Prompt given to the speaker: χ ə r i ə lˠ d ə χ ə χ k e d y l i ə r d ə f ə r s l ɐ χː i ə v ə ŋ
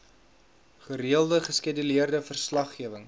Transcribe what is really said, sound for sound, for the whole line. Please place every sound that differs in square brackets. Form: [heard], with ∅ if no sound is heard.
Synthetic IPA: χ ə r i ə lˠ d ə χ ə [s] k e d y l i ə r d ə f ə r s l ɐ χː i ə v ə ŋ